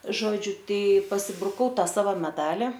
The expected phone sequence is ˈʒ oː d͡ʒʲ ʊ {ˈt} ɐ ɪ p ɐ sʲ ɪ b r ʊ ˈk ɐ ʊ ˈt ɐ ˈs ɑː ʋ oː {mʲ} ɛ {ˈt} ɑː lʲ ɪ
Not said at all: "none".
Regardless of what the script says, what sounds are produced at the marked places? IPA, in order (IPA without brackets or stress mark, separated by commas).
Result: t, mʲ, d